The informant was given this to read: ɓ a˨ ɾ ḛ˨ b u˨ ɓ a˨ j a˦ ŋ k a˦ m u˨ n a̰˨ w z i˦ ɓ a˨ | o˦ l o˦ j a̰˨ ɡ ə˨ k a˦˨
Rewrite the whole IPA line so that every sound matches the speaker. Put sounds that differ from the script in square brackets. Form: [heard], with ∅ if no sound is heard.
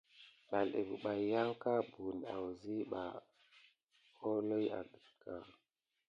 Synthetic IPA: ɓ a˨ [l] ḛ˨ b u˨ ɓ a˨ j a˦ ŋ k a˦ [b] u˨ n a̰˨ w z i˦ ɓ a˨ | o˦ l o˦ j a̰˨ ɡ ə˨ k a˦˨